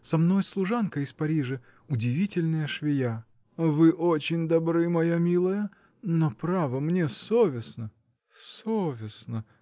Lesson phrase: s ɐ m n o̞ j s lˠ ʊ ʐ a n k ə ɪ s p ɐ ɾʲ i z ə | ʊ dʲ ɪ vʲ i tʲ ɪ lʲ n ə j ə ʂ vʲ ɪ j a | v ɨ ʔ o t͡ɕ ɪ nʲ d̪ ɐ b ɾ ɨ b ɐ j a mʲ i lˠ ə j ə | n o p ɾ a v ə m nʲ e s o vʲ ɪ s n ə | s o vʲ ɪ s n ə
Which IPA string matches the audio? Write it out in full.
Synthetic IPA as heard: s ɐ m n o̞ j s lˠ ʊ ʐ a n k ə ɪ s p ɐ ɾʲ i ʐ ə | ʊ dʲ ɪ vʲ i tʲ ɪ lʲ n ə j ə ʂ vʲ ɪ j a | v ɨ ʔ o t͡ɕ ɪ nʲ d̪ ɐ b ɾ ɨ m ɐ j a mʲ i lˠ ə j ə | n o p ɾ a v ə m nʲ e s o vʲ ɪ s n ə | s o vʲ ɪ s n ə